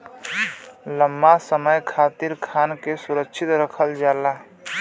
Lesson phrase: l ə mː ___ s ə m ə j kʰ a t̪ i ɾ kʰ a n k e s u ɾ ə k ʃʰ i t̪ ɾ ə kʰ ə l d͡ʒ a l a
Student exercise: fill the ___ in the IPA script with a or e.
a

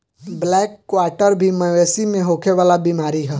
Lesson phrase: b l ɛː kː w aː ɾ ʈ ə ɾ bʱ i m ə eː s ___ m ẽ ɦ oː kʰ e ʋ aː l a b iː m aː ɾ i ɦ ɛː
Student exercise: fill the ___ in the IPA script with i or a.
i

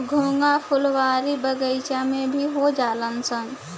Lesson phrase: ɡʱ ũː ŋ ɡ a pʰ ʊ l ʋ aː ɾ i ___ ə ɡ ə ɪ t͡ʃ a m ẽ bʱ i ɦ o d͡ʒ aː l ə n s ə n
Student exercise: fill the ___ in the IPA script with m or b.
b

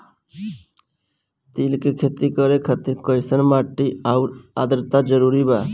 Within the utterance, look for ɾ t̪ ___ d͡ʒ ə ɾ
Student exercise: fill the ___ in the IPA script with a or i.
a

